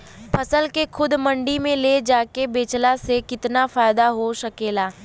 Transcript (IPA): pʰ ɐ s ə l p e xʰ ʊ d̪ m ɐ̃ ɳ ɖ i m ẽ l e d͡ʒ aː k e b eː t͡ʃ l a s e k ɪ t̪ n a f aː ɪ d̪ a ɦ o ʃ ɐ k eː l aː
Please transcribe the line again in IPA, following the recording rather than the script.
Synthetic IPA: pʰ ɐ s ə l k e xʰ ʊ d̪ m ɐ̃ ɳ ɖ i m ẽ l e d͡ʒ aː k e b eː t͡ʃ l a s e k ɪ t̪ n a f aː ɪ d̪ a ɦ o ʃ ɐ k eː l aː